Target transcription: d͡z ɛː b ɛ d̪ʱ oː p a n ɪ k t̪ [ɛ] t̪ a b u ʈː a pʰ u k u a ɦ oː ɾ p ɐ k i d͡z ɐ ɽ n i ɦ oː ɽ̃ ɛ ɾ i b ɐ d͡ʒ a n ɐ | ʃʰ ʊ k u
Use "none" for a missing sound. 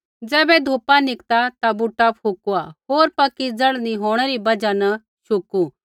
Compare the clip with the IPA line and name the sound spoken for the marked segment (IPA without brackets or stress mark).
a